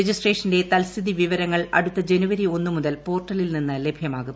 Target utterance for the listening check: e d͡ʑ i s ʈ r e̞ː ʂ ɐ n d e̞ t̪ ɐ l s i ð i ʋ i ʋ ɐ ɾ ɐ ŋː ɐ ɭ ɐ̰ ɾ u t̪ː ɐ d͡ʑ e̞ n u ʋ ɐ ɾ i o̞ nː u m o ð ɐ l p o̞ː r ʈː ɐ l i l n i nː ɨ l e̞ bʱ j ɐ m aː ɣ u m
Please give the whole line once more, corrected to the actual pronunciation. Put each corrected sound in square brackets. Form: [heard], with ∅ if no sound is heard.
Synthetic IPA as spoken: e d͡ʑ i s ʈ r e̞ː ʂ ɐ n d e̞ t̪ ɐ l s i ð i ʋ i ʋ ɐ ɾ ɐ ŋː ɐ ɭ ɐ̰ [ɽ] u t̪ː ɐ d͡ʑ e̞ n u ʋ ɐ ɾ i o̞ nː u m [u] ð ɐ l p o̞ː r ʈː ɐ l i l n i nː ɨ l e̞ bʱ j ɐ m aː ɣ u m